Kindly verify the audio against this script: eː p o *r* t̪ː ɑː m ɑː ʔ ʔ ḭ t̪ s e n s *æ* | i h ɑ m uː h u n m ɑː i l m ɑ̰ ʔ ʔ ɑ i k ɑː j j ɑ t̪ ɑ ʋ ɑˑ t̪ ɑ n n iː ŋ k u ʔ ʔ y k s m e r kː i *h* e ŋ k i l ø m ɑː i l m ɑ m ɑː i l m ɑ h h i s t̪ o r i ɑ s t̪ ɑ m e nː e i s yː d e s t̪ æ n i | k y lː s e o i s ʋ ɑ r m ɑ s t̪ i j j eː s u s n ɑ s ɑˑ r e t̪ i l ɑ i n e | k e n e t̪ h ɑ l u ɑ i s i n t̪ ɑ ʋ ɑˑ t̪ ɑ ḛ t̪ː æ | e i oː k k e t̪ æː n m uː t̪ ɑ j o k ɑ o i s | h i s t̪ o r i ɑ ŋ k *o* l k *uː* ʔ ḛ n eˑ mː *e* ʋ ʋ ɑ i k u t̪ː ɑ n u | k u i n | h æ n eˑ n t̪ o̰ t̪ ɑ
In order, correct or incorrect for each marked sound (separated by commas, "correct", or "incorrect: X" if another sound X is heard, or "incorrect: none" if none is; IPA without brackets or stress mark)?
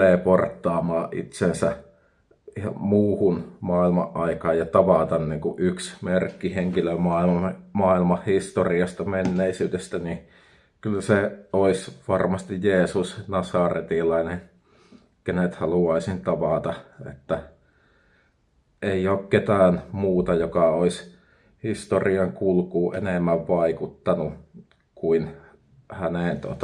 correct, correct, correct, incorrect: u, correct, incorrect: æ